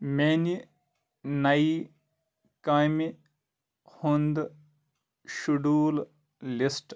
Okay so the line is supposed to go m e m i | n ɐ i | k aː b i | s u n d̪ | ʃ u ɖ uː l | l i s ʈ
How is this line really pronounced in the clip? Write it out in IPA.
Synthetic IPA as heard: m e n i | n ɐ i | k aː m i | h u n d̪ | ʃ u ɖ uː l | l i s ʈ